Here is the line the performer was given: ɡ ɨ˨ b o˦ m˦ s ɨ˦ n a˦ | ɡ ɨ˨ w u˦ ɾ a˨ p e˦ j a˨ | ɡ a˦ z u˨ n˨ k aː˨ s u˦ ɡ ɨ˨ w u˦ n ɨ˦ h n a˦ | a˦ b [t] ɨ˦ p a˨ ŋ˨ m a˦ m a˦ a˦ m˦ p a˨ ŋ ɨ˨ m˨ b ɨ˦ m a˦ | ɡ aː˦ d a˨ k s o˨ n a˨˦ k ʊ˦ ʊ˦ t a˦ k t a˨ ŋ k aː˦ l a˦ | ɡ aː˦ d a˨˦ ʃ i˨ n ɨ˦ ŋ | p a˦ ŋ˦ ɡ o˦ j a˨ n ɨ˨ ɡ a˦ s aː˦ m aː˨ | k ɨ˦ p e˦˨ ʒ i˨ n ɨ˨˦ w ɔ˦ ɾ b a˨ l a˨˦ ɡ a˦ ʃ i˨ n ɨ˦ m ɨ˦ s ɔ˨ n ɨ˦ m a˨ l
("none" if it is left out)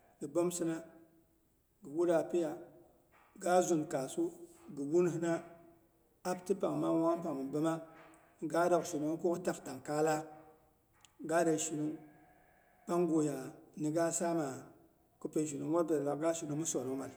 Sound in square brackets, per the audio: t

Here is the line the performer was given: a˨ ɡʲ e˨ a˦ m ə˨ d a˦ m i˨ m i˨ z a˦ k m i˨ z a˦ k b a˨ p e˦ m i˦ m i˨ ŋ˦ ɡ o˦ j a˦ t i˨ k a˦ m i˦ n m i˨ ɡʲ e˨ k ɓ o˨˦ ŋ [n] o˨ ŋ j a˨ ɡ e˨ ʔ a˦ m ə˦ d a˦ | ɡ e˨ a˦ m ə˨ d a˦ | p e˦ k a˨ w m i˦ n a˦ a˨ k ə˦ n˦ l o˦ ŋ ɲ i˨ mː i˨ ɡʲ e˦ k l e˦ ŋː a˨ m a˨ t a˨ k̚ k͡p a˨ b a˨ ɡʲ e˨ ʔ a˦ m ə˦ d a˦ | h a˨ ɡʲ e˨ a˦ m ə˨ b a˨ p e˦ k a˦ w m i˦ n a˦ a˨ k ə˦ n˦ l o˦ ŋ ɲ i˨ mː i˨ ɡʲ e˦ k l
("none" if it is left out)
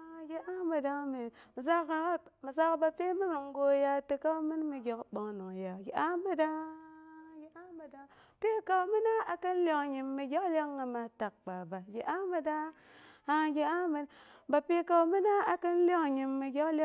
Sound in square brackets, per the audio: n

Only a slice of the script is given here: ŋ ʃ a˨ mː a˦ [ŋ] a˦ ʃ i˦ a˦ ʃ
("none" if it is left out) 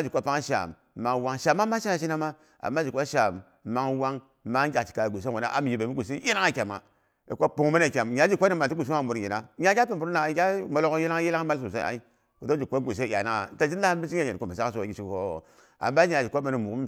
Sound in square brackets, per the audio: m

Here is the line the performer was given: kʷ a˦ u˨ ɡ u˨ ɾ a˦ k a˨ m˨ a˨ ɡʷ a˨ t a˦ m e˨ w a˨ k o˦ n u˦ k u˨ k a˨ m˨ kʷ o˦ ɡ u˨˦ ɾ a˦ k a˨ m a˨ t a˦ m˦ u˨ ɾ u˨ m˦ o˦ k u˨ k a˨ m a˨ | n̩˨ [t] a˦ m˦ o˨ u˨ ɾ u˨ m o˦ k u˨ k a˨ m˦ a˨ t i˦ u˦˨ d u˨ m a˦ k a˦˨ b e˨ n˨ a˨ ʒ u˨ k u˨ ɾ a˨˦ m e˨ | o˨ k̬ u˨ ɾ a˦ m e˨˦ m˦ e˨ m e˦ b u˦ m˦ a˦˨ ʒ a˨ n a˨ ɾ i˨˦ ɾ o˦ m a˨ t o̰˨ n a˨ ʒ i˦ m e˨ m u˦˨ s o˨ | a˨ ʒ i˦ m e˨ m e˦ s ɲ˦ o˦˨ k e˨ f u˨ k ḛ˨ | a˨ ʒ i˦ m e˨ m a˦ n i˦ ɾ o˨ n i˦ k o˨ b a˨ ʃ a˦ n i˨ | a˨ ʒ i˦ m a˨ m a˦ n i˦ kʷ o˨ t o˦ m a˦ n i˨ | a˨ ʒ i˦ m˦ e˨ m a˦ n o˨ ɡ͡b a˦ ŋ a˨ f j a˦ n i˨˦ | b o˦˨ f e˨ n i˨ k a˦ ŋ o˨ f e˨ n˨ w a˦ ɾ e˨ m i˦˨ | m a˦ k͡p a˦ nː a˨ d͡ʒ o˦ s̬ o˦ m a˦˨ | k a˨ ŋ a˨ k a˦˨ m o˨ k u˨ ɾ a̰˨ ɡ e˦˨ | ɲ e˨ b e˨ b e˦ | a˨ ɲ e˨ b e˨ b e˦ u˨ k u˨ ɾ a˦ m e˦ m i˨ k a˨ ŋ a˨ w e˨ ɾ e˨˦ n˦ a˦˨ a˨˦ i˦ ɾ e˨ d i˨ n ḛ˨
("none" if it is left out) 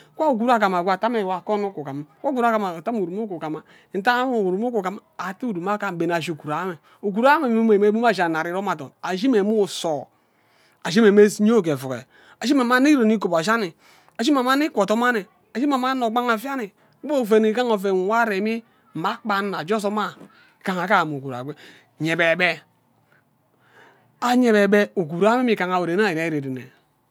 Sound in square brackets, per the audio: t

